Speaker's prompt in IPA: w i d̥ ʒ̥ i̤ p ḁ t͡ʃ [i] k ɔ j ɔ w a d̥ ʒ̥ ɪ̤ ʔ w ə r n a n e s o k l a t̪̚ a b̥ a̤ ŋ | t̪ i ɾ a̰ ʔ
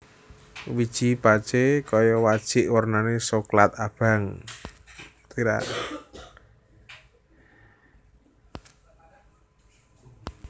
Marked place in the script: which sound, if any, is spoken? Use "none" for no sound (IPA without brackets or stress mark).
e